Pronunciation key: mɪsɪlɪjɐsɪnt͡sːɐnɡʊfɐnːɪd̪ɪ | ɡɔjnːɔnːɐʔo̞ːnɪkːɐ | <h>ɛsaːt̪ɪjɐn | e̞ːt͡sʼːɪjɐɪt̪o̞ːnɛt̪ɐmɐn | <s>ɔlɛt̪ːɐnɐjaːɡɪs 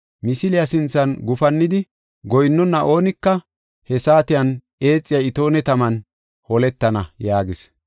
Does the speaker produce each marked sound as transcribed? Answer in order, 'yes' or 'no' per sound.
yes, no

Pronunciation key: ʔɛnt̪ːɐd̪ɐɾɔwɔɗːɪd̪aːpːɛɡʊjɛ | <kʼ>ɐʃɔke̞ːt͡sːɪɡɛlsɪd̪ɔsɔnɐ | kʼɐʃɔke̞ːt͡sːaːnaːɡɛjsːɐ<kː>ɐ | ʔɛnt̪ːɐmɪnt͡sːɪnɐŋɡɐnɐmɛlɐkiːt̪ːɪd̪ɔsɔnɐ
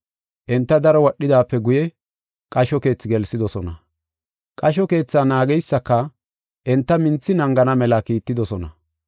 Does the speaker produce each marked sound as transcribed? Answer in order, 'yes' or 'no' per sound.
yes, yes

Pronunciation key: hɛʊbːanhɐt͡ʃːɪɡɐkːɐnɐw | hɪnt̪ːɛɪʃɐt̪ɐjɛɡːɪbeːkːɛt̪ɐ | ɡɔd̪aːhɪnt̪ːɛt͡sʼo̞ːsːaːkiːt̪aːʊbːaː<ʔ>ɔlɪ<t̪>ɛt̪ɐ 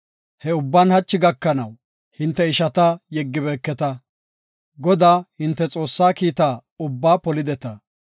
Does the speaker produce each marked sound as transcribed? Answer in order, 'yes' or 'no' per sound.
no, no

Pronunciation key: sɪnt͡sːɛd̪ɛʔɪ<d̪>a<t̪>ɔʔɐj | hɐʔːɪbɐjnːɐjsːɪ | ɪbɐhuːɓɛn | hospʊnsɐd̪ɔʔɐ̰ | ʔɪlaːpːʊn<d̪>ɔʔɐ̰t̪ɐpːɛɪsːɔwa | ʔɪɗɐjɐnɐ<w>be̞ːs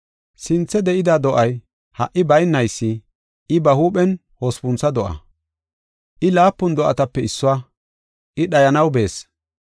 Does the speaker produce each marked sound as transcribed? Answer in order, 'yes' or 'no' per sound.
yes, no, yes, yes

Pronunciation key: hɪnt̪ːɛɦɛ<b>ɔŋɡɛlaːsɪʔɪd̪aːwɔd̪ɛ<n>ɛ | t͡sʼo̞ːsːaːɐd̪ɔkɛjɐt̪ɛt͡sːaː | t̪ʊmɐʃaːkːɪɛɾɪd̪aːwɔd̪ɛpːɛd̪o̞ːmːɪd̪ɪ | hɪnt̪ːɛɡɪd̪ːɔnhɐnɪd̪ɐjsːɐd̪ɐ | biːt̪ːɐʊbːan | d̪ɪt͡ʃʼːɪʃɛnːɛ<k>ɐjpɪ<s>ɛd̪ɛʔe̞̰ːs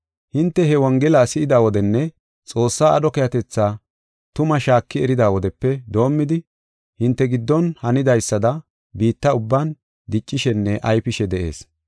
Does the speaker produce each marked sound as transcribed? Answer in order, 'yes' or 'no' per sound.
no, no, no, no

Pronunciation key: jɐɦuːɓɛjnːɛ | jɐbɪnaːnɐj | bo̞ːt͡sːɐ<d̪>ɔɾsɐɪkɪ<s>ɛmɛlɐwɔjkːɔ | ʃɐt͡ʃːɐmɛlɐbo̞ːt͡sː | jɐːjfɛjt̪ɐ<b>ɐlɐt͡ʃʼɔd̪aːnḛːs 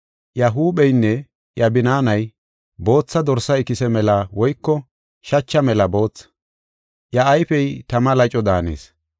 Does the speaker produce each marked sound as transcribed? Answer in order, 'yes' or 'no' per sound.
yes, yes, no

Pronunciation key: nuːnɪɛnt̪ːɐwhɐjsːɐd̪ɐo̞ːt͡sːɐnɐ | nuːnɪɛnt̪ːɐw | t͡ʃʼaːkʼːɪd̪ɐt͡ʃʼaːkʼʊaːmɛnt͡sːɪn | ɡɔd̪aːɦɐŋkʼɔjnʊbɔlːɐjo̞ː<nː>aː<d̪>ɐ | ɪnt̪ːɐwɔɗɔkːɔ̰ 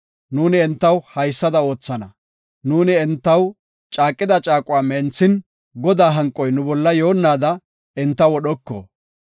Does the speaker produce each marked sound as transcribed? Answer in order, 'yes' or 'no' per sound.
yes, yes

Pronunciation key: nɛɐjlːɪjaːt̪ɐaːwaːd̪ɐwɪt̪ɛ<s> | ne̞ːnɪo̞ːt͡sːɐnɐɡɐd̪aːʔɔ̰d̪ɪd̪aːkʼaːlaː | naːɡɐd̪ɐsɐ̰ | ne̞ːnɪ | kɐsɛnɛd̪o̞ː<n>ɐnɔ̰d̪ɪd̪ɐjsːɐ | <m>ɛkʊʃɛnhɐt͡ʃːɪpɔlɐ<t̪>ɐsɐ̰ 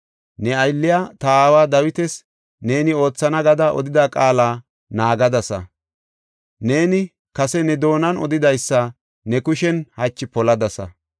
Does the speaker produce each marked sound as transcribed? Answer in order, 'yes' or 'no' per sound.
yes, yes, no, no

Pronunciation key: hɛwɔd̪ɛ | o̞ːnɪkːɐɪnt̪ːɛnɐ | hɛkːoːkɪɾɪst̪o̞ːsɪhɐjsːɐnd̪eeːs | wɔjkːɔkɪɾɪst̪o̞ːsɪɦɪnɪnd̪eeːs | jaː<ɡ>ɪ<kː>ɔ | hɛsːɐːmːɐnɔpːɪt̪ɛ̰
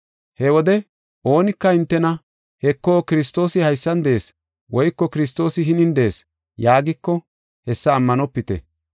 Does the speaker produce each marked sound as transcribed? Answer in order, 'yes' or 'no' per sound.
yes, yes

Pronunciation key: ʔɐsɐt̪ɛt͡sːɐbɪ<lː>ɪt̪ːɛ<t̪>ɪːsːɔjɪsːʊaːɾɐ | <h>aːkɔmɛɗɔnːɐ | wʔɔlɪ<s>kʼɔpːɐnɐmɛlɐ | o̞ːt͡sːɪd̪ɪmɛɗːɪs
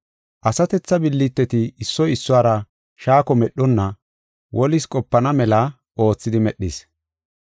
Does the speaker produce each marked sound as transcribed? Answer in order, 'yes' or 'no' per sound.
yes, yes, no, yes

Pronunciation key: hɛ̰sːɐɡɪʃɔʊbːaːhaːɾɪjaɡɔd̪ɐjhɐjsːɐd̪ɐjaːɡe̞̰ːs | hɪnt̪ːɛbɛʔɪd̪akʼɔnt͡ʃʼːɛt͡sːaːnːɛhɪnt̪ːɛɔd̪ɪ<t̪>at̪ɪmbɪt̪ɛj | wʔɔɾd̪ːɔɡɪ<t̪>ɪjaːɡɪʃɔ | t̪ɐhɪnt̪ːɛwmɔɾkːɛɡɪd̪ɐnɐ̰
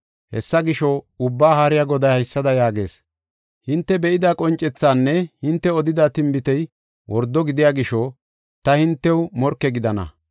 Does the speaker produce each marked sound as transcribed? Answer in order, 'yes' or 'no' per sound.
no, no

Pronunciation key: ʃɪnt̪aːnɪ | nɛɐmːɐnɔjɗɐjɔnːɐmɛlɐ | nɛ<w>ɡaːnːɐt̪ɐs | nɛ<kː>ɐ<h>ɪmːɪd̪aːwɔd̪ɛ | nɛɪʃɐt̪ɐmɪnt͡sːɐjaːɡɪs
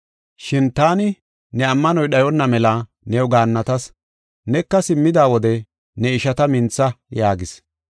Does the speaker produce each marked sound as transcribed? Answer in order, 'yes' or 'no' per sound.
yes, yes, no

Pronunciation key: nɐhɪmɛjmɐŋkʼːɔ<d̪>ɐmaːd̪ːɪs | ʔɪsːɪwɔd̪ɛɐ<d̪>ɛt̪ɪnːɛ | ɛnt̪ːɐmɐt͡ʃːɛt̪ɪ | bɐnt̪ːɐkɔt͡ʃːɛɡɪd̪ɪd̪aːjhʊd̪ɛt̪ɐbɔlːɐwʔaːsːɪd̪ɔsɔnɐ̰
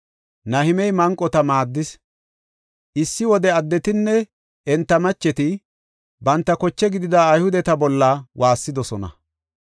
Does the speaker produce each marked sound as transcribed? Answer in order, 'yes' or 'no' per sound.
no, no

